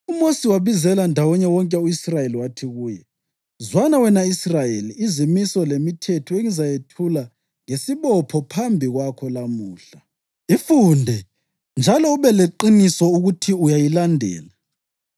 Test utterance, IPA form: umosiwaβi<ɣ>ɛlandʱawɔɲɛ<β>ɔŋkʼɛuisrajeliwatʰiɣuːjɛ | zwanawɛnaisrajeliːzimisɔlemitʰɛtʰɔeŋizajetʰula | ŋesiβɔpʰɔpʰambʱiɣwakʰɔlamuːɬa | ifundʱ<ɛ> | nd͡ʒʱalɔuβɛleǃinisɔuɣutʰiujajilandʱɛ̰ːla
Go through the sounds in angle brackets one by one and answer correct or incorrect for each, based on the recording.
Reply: incorrect, incorrect, correct

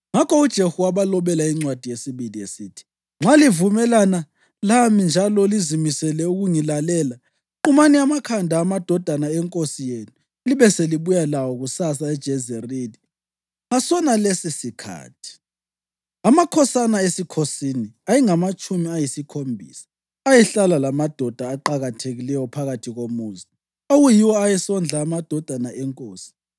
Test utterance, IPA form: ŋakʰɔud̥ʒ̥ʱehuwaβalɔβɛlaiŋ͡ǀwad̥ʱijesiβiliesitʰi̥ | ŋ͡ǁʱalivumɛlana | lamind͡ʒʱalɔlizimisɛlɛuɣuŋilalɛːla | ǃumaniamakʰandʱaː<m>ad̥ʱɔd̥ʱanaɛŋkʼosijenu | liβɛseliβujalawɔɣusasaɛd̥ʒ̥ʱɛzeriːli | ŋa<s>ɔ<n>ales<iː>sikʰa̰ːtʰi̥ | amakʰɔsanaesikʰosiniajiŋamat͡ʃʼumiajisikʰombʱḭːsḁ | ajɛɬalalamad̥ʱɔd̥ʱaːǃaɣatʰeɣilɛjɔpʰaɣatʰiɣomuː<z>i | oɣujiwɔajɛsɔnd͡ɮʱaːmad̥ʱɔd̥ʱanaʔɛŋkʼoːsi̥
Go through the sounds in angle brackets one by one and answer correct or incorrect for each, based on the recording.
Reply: correct, correct, correct, incorrect, correct

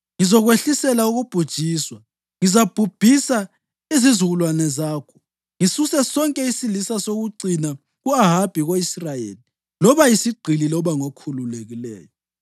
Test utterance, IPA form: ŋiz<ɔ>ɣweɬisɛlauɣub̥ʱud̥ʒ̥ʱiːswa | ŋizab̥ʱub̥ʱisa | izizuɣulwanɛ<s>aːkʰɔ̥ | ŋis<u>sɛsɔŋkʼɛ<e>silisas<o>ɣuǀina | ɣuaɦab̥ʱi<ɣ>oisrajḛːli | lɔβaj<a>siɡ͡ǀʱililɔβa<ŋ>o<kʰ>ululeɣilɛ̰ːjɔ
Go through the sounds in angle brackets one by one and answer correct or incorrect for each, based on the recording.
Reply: correct, incorrect, correct, incorrect, correct, correct, incorrect, correct, correct

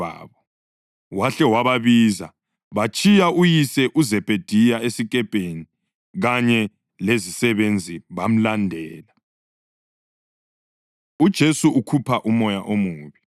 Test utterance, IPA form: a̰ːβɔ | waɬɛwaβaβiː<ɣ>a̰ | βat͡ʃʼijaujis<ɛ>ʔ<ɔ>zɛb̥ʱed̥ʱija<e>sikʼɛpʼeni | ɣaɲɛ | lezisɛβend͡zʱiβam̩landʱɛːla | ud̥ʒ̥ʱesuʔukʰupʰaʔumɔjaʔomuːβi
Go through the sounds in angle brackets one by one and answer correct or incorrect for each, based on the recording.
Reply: incorrect, correct, incorrect, correct

